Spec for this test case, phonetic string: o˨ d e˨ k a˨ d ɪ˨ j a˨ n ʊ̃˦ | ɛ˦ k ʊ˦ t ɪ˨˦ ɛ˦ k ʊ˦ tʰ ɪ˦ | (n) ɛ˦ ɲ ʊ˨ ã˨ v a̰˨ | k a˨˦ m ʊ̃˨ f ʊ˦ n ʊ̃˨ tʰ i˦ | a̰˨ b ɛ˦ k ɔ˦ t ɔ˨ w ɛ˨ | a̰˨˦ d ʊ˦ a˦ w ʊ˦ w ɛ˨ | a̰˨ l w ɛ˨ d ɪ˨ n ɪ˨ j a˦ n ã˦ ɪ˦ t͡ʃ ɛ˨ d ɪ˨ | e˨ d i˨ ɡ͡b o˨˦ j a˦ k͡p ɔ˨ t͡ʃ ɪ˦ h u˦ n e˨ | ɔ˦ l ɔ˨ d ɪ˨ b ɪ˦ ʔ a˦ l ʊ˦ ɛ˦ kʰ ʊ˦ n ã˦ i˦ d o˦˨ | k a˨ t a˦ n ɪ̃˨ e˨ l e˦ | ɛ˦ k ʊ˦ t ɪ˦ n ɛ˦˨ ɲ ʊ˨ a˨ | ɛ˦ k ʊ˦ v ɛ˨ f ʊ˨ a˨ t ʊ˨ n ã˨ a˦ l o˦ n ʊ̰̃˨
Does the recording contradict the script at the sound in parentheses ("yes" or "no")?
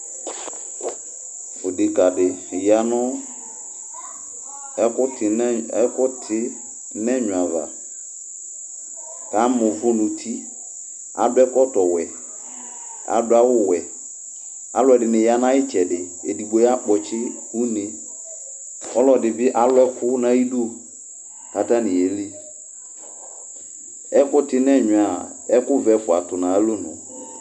no